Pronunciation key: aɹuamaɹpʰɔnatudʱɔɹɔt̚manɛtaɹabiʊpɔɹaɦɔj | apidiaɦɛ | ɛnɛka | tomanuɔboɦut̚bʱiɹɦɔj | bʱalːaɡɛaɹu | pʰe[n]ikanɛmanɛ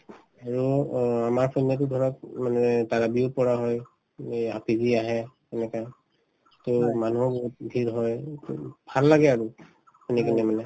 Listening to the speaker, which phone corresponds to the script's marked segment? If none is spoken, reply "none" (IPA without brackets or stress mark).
n